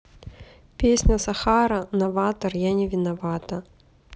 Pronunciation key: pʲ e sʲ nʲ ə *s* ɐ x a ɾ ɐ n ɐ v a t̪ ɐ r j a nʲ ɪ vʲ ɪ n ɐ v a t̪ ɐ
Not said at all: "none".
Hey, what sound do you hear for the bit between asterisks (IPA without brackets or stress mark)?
s